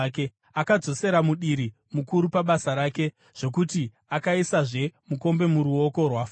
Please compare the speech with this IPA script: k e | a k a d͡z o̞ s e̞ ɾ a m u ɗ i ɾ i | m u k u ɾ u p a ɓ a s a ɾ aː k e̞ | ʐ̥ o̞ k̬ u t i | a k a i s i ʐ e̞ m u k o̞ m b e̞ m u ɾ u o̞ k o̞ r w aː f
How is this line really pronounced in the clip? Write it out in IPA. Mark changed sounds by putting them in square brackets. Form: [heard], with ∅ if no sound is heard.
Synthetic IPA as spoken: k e | a k a d͡z o̞ s e̞ ɾ a m u ɗ i ɾ i | m u k u ɾ u p a ɓ a s a ɾ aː k e̞ | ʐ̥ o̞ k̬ u t i | a k a i s [a] ʐ e̞ m u k o̞ m b e̞ m u ɾ u o̞ k o̞ r w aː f